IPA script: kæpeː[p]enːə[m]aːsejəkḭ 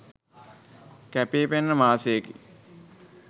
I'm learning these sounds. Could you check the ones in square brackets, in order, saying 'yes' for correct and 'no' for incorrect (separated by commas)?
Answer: yes, yes